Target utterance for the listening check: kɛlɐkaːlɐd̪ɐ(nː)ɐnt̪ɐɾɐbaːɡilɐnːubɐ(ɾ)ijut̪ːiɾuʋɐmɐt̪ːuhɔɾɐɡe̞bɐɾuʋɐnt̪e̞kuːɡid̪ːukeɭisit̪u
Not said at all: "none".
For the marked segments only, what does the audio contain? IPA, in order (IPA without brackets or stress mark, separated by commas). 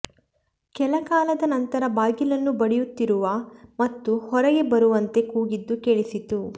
n, ɽ